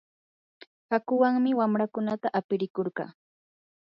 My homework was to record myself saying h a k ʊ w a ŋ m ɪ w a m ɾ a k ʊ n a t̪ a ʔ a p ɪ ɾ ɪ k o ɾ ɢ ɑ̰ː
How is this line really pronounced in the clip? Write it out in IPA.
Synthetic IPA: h a k ʊ w a ŋ m ɪ w a m ɾ a k ʊ n a t̪ a ʔ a p ɪ ɾ ɪ k o ɾ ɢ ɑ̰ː

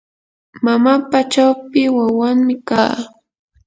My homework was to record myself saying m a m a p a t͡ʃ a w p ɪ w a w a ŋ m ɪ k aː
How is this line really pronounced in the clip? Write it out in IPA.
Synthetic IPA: m a m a p a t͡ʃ a w p ɪ w a w a ŋ m ɪ k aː

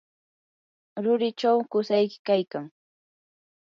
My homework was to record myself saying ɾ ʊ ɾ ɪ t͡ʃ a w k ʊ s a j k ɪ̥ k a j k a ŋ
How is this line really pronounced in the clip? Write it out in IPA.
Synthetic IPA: ɾ ʊ ɾ ɪ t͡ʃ a w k ʊ s a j k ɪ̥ k a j k a ŋ

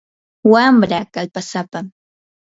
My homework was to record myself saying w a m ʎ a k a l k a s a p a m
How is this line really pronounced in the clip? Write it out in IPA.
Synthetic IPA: w a m ɾ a k a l p a s a p a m

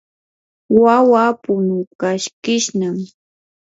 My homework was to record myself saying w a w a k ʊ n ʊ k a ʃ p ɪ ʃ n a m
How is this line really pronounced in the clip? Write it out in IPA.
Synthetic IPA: w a w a p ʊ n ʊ k a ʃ k ɪ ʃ n a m

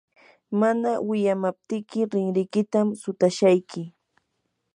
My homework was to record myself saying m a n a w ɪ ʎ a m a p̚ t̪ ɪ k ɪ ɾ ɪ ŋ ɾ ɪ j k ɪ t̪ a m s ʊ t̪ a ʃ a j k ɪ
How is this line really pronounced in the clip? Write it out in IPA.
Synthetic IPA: m a n a w ɪ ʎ a m a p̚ t̪ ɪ k ɪ ɾ ɪ ŋ ɾ ɪ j k ɪ t̪ a m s ʊ t̪ a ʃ a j k ɪ

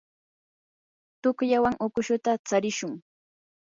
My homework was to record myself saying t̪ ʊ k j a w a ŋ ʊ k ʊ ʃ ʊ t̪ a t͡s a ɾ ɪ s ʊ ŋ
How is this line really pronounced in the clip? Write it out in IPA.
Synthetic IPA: t̪ ʊ k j a w a ŋ ʊ k ʊ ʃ ʊ t̪ a t͡s a ɾ ɪ ʃ ʊ ŋ

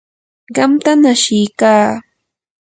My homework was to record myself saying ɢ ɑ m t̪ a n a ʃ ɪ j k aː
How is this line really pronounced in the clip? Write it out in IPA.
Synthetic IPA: ɢ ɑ m t̪ a n a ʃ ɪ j k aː

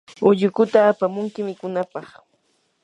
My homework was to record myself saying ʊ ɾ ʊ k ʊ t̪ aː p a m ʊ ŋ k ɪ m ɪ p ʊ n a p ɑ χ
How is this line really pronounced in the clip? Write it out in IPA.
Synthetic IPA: ʊ ʎ ʊ k ʊ t̪ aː p a m ʊ ŋ k ɪ m ɪ k ʊ n a p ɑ χ

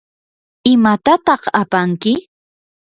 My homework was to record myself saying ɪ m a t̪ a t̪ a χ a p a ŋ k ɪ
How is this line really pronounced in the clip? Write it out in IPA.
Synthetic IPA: ɪ m a t̪ a t̪ ɑ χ a p a ŋ k ɪ

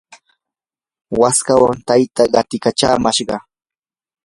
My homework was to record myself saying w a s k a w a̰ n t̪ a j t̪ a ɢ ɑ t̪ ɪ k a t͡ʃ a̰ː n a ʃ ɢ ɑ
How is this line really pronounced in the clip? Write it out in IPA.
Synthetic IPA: w a s k a w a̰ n t̪ a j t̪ a ɢ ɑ t̪ ɪ k a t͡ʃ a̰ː m a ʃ ɢ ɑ

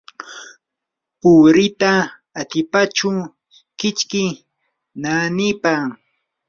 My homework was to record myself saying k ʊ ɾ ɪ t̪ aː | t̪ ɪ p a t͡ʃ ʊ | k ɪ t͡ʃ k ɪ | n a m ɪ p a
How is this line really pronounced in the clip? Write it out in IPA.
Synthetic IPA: p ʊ ɾ ɪ t̪ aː | t̪ ɪ p a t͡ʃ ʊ | k ɪ t͡ʃ k ɪ | n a n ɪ p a

